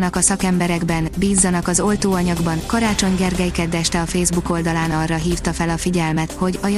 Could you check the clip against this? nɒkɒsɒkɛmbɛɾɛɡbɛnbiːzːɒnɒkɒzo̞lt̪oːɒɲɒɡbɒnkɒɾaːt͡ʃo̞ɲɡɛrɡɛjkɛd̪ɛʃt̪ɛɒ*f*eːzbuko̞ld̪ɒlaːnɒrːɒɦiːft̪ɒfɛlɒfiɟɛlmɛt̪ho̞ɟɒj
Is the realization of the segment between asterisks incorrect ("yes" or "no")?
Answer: no